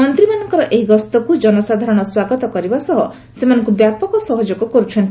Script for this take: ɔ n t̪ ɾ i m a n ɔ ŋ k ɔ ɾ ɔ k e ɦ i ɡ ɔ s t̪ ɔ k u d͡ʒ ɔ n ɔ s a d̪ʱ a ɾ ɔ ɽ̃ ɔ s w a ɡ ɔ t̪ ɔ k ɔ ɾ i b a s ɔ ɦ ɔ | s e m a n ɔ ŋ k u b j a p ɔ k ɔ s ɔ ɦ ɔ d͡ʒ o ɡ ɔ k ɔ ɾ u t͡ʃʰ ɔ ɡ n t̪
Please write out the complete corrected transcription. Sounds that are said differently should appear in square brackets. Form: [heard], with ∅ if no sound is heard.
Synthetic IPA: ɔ n t̪ ɾ i m a n ɔ ŋ k ɔ ɾ ɔ [ʔ] e ɦ i ɡ ɔ s t̪ ɔ k u d͡ʒ ɔ n ɔ s a d̪ʱ a ɾ ɔ ɽ̃ ɔ s w a ɡ ɔ t̪ ɔ k ɔ ɾ i b a s ɔ ɦ ɔ | s e m a n ɔ ŋ k u b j a p ɔ k ɔ s ɔ ɦ ɔ d͡ʒ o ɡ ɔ k ɔ ɾ u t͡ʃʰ ɔ [∅] n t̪